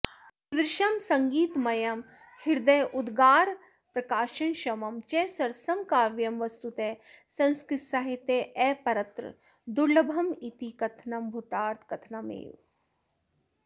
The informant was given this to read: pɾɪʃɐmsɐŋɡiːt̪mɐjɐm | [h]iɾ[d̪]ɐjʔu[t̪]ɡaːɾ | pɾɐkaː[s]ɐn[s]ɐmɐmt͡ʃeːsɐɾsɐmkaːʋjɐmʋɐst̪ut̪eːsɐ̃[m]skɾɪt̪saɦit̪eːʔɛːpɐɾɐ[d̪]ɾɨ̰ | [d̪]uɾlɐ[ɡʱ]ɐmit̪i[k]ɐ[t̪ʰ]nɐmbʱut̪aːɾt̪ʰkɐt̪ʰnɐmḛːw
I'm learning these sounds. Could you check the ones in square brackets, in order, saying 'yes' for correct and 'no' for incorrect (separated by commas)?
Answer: yes, yes, no, no, no, no, no, yes, no, yes, yes